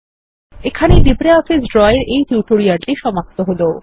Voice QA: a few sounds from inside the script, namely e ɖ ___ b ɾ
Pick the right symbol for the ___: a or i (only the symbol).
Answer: i